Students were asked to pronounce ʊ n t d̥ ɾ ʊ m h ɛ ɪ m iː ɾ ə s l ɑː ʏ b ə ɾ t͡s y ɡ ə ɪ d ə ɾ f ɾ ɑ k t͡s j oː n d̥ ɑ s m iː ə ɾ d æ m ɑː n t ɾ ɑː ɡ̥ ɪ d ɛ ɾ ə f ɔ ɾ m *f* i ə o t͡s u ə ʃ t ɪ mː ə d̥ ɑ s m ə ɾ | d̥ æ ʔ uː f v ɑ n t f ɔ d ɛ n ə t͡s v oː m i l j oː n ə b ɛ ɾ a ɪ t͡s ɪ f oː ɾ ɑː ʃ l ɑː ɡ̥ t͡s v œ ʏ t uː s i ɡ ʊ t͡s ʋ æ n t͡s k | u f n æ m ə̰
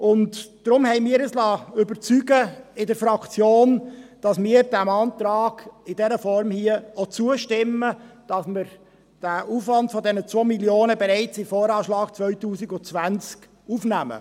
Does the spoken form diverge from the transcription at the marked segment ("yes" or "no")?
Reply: yes